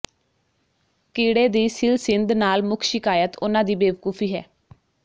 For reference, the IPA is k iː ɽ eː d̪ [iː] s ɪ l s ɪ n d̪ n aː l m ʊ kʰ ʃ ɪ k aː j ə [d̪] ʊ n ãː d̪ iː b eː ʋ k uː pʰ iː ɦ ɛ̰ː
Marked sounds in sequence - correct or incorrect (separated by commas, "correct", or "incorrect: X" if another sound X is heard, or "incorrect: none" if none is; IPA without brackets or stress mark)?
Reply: correct, incorrect: t̪